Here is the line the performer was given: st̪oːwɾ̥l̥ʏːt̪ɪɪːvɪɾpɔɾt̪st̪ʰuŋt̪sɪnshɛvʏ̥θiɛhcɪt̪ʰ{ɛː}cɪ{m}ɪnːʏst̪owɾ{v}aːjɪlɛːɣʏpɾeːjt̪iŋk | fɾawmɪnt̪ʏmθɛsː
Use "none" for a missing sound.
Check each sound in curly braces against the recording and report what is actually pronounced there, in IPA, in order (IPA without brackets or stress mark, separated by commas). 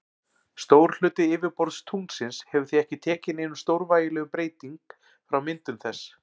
ɛː, n, v